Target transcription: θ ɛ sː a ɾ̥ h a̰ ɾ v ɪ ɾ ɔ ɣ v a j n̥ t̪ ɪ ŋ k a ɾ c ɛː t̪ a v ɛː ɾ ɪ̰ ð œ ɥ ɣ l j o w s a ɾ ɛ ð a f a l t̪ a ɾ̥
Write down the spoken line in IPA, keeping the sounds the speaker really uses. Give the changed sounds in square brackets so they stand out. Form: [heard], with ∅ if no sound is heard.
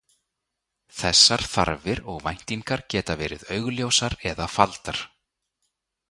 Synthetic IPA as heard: θ ɛ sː a ɾ̥ [θ] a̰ ɾ v ɪ ɾ ɔ ɣ v a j n̥ t̪ [i] ŋ k a ɾ c ɛː t̪ a v ɛː ɾ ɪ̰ ð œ ɥ ɣ l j o w s a ɾ ɛ ð a f a l t̪ a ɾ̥